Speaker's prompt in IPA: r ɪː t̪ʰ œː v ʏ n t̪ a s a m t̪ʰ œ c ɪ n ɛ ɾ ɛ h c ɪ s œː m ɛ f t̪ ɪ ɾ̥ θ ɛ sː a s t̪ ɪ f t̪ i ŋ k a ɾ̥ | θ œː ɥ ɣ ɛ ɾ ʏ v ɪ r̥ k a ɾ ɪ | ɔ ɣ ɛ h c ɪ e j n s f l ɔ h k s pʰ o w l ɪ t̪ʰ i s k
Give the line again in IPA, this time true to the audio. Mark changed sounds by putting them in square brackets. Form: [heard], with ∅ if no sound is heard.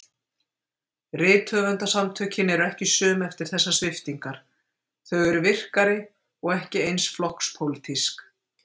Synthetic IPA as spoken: r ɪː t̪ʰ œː v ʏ n t̪ a s a m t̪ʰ œ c ɪ n ɛ ɾ ɛ h c ɪ s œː m ɛ f t̪ ɪ ɾ̥ θ ɛ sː a s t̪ ɪ f t̪ i ŋ k a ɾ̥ | θ [œ] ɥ ɣ ɛ ɾ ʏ v ɪ r̥ k a ɾ ɪ | ɔ ɣ ɛ h c ɪ e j n s f l ɔ h k s pʰ o w l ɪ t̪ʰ i s k